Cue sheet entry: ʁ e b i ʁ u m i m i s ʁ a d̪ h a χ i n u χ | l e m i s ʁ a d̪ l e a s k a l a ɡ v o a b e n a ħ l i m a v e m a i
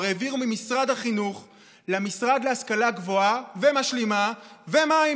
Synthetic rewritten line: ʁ e v i ʁ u m i m i s ʁ a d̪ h a χ i n u χ | l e m i s ʁ a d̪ l e a s k a l a ɡ v o a v e m a ʃ l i m a v e m a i